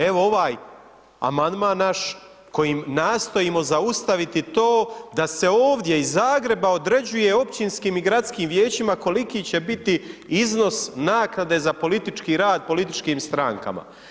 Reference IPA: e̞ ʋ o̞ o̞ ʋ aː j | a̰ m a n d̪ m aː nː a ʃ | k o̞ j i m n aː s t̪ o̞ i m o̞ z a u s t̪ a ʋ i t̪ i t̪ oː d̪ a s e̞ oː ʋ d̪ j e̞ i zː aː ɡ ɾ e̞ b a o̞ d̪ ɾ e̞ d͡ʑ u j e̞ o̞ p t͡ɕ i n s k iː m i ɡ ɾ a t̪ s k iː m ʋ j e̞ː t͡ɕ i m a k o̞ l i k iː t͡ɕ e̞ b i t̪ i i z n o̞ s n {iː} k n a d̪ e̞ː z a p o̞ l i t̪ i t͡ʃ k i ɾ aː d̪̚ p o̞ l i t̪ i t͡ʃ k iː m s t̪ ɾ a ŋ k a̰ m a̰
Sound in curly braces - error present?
yes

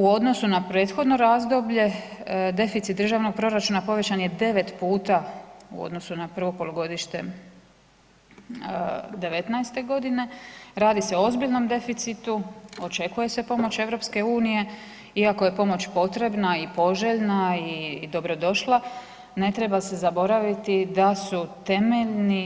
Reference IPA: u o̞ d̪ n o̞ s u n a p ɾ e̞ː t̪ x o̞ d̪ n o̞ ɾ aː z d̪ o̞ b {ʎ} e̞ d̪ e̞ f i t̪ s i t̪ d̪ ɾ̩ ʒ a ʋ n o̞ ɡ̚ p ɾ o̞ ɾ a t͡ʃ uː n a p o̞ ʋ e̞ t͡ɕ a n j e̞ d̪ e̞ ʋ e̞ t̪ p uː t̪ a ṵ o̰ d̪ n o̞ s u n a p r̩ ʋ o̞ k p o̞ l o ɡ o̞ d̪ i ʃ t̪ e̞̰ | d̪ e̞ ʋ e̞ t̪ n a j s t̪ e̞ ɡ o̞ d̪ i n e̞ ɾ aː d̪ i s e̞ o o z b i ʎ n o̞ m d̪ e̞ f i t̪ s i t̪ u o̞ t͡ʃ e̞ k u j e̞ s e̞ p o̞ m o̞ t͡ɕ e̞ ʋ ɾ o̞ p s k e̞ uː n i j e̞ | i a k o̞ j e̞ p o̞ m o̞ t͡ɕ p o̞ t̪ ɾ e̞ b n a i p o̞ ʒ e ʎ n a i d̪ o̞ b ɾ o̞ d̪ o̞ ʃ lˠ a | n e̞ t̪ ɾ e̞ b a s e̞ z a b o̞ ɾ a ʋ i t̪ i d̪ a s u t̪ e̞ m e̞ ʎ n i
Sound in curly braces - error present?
no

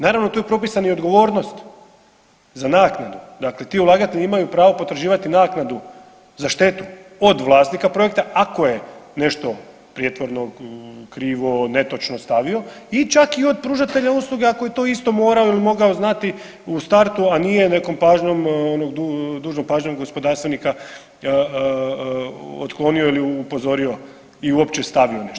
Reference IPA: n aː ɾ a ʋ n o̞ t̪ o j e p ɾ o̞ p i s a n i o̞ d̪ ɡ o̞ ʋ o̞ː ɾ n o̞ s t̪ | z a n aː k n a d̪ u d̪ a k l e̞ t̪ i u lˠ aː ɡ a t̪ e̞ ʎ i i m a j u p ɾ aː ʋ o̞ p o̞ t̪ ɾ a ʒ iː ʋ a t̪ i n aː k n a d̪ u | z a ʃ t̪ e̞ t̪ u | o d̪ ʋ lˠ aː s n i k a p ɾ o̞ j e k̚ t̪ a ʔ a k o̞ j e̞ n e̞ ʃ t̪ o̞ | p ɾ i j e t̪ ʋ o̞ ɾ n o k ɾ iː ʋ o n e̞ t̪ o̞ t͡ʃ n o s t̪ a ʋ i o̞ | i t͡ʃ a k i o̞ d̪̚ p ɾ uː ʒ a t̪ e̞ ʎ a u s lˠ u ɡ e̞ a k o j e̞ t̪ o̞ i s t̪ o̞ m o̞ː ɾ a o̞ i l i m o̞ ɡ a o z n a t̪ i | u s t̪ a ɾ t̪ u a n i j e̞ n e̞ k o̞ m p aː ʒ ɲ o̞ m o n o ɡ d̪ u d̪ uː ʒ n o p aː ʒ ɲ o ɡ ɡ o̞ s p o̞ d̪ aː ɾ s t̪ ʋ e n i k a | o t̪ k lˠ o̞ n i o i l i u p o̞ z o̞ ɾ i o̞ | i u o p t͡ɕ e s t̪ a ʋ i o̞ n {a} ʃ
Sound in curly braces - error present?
yes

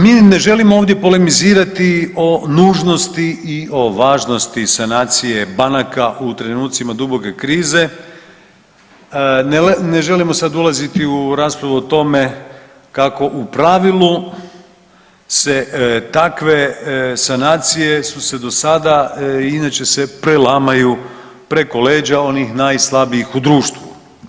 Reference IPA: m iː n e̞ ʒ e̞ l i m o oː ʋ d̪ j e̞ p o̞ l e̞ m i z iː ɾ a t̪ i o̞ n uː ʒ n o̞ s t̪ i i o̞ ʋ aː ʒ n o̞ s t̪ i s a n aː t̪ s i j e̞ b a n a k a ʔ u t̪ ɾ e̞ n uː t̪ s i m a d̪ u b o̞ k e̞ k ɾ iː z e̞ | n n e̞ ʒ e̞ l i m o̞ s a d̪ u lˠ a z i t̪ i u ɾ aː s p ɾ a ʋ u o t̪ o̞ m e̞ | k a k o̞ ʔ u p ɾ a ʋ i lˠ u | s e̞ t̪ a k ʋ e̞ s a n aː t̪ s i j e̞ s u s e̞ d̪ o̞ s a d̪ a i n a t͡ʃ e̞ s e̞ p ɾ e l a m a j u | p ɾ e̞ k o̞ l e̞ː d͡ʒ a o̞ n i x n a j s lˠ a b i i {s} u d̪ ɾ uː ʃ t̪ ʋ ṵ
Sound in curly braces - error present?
yes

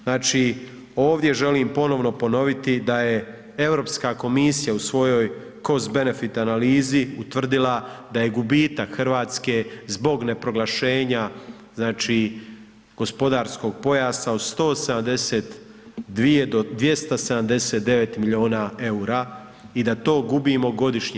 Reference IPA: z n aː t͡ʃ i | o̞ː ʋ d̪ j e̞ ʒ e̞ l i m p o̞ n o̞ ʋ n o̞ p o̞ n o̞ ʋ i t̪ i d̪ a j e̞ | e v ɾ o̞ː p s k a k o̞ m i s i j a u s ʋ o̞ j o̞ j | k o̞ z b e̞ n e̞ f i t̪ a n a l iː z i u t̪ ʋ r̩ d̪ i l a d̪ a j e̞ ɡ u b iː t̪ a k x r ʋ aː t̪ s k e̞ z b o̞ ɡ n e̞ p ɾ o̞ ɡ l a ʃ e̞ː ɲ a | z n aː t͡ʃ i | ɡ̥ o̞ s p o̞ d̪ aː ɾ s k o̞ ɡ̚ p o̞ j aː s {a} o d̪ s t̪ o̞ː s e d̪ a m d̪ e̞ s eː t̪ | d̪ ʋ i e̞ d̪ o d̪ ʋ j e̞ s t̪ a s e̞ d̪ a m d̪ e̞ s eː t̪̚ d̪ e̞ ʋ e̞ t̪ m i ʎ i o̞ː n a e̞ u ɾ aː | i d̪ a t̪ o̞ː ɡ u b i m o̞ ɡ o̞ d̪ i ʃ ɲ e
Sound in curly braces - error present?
no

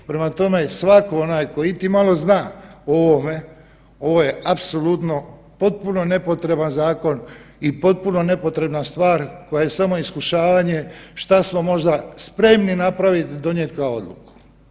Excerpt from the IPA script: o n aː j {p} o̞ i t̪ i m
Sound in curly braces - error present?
yes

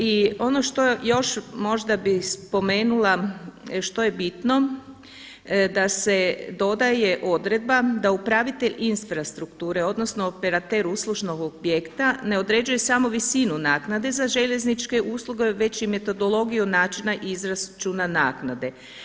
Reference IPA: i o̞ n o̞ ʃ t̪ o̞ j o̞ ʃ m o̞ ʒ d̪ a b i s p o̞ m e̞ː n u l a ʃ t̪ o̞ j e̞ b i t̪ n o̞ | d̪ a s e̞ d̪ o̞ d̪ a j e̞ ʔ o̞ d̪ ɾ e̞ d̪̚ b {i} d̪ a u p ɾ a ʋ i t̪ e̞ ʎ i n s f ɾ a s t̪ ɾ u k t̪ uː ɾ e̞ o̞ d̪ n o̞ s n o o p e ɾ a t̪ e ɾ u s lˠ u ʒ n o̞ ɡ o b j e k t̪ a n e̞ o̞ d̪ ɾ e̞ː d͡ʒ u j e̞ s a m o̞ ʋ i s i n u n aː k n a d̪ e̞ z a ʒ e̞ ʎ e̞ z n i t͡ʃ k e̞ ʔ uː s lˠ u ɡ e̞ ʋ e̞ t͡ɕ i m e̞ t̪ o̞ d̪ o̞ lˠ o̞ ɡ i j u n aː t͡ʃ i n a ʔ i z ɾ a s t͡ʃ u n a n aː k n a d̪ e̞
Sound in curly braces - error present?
yes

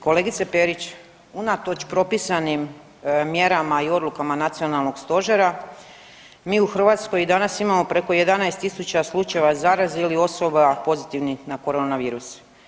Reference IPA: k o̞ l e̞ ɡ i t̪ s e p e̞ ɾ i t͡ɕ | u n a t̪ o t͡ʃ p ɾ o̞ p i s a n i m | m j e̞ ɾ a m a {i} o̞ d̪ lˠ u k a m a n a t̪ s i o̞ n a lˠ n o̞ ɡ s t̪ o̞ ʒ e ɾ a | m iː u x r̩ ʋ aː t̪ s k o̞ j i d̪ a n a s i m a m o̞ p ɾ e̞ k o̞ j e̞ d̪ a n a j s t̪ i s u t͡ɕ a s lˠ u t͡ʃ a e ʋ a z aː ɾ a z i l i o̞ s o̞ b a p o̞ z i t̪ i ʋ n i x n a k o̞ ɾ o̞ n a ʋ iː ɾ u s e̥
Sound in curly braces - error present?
no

